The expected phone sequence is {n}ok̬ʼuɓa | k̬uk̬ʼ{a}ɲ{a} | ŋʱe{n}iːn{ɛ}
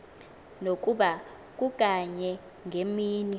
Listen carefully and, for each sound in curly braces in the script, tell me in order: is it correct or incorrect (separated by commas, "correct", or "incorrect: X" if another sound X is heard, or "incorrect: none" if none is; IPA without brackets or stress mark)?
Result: correct, correct, incorrect: ɛ, incorrect: m, incorrect: i